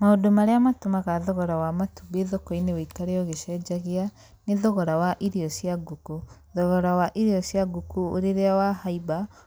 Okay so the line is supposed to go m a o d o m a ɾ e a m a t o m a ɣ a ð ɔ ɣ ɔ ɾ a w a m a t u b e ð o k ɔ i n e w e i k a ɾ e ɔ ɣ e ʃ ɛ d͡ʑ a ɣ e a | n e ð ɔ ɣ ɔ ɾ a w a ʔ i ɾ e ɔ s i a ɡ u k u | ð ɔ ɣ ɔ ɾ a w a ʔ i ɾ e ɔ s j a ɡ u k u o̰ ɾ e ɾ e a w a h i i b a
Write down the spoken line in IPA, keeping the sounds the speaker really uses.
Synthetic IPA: m a o d o m a ɾ e a m a t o m a ɣ a ð ɔ ɣ ɔ ɾ a w a m a t u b e ð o k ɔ i n e w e i k a ɾ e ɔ ɣ e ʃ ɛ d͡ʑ a ɣ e a | n e ð ɔ ɣ ɔ ɾ a w a ʔ i ɾ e ɔ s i a ɡ u k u | ð ɔ ɣ ɔ ɾ a w a ʔ i ɾ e ɔ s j a ɡ u k u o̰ ɾ e ɾ e a w a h a i b a